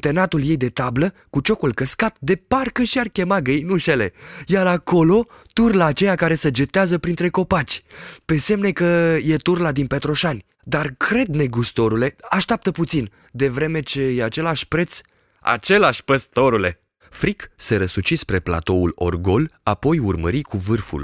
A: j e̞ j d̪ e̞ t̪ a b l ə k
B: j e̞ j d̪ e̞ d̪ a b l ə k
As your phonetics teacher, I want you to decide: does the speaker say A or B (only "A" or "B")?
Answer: A